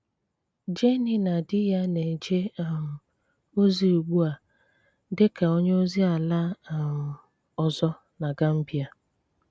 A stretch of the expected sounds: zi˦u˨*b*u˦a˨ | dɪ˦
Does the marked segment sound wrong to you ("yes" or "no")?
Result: yes